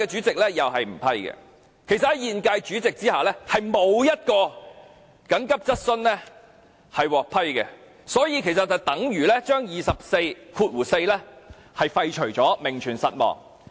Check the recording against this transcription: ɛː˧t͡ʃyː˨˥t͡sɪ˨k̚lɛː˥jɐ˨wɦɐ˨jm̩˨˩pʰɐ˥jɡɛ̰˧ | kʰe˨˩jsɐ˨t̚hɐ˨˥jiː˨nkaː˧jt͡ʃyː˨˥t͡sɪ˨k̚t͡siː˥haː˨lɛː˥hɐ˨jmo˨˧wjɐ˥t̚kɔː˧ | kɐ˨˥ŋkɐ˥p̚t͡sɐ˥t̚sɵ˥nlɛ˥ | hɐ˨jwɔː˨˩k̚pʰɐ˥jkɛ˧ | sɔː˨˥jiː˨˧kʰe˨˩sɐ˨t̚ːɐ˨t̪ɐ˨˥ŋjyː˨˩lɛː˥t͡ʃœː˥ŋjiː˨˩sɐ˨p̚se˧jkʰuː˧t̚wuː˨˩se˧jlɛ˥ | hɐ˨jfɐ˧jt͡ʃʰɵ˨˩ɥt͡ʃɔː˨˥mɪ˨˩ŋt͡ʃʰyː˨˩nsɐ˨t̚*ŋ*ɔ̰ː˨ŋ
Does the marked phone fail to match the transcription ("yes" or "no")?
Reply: yes